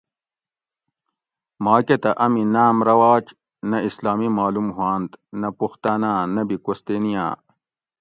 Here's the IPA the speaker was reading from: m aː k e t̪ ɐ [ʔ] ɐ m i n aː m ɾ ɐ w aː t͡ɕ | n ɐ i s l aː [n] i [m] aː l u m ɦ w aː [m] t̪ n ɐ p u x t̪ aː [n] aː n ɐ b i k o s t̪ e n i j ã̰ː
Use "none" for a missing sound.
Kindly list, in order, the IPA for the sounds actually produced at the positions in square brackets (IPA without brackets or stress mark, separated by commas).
ʔ, m, m, n, n